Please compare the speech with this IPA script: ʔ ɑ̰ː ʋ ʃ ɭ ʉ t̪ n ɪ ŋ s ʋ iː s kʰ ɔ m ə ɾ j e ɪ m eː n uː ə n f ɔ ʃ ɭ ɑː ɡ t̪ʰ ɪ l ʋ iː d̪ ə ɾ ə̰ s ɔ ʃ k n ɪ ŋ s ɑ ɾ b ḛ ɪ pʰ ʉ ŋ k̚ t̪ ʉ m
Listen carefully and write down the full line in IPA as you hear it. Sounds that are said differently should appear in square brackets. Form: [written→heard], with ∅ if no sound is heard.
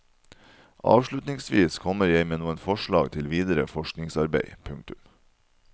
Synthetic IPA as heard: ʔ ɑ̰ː ʋ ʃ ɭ ʉ t̪ n ɪ ŋ s ʋ iː s kʰ ɔ m ə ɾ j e ɪ m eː n uː ə n f ɔ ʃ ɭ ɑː ɡ t̪ʰ ɪ l ʋ iː d̪ ə ɾ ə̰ [s→f] ɔ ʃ k n ɪ ŋ s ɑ ɾ b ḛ ɪ pʰ ʉ ŋ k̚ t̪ ʉ m